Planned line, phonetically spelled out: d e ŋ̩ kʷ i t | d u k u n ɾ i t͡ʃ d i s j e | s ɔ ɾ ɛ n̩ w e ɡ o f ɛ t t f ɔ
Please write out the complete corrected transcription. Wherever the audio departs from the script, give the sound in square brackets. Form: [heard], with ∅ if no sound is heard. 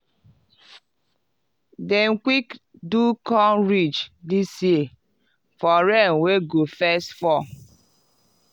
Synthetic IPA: d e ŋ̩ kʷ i [k] | d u k [ɔ] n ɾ i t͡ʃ d i s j e | [f] ɔ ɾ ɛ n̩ w e ɡ o f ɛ [s] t f ɔ